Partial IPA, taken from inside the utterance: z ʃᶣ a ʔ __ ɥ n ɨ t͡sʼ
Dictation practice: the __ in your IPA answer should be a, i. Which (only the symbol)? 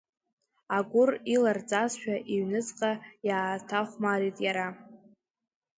i